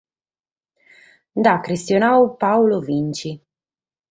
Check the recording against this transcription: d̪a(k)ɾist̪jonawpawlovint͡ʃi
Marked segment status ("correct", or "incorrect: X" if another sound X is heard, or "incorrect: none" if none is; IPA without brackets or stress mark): correct